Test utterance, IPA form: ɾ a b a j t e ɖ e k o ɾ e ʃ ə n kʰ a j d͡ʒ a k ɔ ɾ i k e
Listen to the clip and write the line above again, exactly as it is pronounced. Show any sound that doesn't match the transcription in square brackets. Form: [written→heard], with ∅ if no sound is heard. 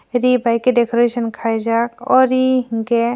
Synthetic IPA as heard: ɾ [a→i] b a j [t→k] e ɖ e k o ɾ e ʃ ə n kʰ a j d͡ʒ a k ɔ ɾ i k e